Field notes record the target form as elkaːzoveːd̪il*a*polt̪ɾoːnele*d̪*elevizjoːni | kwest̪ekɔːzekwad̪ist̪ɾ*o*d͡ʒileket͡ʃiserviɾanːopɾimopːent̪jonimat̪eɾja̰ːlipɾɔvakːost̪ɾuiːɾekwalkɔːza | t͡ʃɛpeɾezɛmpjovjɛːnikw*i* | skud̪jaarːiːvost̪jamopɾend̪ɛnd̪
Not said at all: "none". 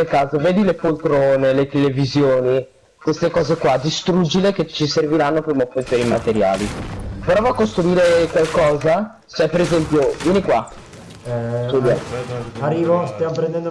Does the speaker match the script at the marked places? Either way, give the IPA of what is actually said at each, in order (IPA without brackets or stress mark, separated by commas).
e, t̪, u, a